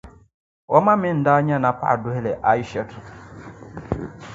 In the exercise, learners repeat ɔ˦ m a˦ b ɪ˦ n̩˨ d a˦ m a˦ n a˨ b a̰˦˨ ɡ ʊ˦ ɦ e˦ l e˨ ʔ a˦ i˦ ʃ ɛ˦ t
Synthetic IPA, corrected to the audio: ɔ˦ m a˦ m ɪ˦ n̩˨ d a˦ ɲ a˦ n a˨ p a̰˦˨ d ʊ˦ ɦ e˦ l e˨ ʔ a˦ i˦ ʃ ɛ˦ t